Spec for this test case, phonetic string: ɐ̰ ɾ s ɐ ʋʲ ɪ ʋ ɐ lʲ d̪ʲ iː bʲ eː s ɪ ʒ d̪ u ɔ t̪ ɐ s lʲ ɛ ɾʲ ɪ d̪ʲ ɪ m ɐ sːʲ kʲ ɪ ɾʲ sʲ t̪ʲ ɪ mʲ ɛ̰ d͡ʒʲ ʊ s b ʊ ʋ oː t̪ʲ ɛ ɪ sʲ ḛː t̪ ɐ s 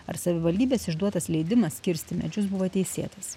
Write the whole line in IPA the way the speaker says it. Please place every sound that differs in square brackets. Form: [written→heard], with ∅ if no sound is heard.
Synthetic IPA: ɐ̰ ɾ s ɐ ʋʲ ɪ ʋ ɐ lʲ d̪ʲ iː bʲ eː s ɪ ʒ d̪ u ɔ t̪ ɐ s lʲ ɛ [ɾʲ→∅] ɪ d̪ʲ ɪ m ɐ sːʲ kʲ ɪ ɾʲ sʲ t̪ʲ ɪ mʲ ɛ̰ d͡ʒʲ ʊ s b ʊ ʋ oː t̪ʲ ɛ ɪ sʲ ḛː t̪ ɐ s